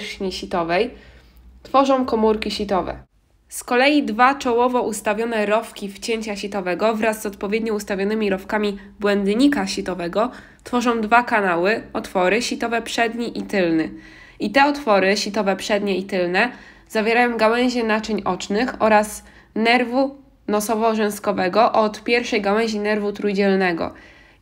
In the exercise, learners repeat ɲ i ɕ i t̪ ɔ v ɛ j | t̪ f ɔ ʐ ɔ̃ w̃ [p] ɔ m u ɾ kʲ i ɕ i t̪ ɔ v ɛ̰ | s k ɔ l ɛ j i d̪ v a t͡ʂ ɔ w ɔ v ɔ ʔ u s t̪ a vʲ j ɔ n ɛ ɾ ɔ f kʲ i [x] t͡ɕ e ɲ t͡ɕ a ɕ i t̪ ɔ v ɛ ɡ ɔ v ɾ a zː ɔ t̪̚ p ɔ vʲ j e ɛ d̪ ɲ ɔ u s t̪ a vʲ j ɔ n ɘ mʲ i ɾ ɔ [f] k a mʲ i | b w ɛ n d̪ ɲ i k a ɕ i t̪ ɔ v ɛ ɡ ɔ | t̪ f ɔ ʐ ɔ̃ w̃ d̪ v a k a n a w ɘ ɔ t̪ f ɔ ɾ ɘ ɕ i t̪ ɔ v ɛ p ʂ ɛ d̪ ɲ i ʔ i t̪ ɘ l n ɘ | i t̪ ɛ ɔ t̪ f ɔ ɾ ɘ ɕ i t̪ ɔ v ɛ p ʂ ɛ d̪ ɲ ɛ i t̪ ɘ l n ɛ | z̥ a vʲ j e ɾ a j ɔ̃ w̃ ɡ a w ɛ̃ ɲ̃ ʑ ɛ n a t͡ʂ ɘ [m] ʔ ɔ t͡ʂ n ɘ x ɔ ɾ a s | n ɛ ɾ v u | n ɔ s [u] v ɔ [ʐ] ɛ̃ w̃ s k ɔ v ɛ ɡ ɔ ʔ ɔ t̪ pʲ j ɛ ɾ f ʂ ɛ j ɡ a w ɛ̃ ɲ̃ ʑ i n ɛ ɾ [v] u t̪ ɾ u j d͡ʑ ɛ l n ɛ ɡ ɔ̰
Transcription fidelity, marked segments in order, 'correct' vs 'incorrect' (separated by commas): incorrect, incorrect, correct, incorrect, incorrect, correct, correct